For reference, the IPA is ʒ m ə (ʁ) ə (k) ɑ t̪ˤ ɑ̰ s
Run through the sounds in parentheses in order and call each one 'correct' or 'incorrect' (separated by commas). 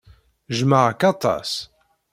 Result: correct, correct